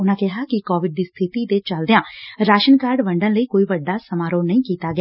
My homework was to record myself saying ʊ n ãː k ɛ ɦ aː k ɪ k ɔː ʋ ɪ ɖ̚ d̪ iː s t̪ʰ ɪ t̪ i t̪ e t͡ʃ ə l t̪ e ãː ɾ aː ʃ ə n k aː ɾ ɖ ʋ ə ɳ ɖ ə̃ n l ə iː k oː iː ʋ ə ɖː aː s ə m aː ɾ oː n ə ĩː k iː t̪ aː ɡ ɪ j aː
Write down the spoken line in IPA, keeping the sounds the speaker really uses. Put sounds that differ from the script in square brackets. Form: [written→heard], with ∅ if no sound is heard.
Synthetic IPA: ʊ n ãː k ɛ ɦ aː k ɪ k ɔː ʋ ɪ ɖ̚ d̪ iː s t̪ʰ ɪ t̪ i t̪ e t͡ʃ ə l [t̪→d̪] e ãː ɾ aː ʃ ə n k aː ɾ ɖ ʋ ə ɳ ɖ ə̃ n l ə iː k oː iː ʋ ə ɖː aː s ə m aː ɾ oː n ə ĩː k iː t̪ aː ɡ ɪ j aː